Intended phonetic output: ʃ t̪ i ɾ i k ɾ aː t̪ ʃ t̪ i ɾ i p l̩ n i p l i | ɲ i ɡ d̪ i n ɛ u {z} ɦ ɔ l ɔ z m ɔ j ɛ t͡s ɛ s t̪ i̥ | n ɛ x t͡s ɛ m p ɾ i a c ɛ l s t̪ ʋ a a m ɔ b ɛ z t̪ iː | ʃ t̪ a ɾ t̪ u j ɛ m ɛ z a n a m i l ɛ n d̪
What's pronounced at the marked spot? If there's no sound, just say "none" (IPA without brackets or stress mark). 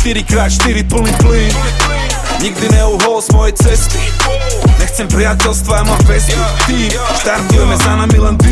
none